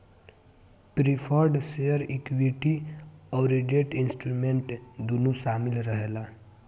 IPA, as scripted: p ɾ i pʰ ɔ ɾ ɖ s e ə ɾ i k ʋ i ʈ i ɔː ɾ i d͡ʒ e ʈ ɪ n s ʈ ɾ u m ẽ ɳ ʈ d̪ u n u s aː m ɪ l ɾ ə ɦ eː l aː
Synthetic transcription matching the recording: p ɾ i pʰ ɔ ɾ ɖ s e ə ɾ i k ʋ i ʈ i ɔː ɾ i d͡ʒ e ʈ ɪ n s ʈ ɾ u m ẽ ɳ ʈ d̪ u n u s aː m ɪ l ɾ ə ɦ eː l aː